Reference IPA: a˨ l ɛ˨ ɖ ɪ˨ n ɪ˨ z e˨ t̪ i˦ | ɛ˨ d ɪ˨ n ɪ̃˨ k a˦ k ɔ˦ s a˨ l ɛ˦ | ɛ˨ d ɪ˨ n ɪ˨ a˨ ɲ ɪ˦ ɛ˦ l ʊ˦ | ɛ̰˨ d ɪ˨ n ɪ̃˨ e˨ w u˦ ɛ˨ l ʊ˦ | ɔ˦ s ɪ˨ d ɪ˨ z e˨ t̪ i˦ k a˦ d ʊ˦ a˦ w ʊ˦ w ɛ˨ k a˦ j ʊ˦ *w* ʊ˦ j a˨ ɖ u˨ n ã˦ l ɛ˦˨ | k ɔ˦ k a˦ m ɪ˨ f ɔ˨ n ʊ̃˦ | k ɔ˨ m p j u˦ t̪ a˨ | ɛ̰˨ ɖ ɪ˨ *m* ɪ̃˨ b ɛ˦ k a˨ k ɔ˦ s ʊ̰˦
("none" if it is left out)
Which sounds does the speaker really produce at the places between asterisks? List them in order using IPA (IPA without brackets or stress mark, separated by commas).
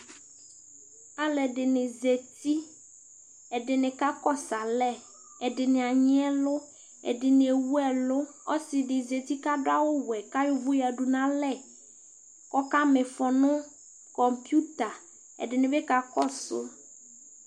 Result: v, n